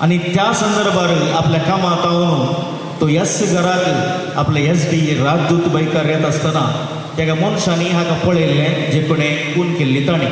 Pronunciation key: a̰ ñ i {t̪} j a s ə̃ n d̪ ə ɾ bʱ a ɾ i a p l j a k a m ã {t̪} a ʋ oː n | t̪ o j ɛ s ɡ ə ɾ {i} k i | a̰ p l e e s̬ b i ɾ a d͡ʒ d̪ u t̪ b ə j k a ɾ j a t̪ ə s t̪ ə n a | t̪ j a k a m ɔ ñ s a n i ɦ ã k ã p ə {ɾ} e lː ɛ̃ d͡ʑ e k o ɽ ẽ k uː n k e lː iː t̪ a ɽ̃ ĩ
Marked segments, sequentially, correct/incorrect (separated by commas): correct, correct, incorrect, incorrect